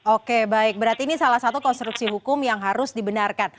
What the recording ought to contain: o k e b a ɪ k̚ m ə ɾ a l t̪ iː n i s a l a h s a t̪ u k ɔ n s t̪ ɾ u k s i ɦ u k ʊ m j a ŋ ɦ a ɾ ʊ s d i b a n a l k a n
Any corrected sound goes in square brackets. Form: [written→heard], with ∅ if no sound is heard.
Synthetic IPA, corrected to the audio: o k e b a ɪ k̚ [m→b] ə ɾ a [l→r] t̪ iː n i s a l a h s a t̪ u k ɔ n s t̪ ɾ u k s i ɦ u k ʊ m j a ŋ ɦ a ɾ ʊ s d i b [a→ə] n a [l→r] k a n